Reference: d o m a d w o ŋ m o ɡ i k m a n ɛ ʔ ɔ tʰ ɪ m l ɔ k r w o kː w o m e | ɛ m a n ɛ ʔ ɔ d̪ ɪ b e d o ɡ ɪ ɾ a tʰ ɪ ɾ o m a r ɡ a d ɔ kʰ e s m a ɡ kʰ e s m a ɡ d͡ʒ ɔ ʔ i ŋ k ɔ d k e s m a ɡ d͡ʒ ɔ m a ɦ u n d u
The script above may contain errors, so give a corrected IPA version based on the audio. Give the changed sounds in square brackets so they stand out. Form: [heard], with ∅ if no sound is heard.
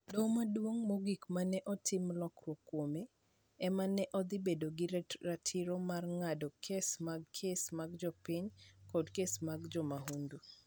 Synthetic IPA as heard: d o m a d w o ŋ m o ɡ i k m a n ɛ ʔ ɔ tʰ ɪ m l ɔ k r w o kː w o m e | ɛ m a n ɛ ʔ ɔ d̪ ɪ b e d o ɡ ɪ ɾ a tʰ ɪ ɾ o m a r [ŋ] a d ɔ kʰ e s m a ɡ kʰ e s m a ɡ d͡ʒ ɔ [p] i [ɲ] k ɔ d k e s m a ɡ d͡ʒ ɔ m a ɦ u n d u